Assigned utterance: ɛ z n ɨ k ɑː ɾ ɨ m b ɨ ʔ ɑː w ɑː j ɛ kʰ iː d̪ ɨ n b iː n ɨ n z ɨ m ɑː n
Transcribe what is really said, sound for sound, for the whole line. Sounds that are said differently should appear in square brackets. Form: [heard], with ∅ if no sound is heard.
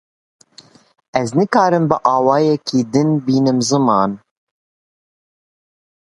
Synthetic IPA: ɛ z n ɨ k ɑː ɾ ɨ m b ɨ ʔ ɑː w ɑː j ɛ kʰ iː d̪ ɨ n b iː n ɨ [m] z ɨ m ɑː n